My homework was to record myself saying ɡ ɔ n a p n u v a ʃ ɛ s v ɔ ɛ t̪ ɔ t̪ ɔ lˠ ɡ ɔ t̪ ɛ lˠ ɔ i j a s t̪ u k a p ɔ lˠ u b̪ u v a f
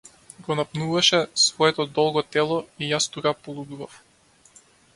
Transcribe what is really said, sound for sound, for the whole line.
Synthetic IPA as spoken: ɡ ɔ n a p n u v a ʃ ɛ s v ɔ ɛ t̪ ɔ d̪ ɔ lˠ ɡ ɔ t̪ ɛ lˠ ɔ i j a s t̪ u k a p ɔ lˠ u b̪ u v a f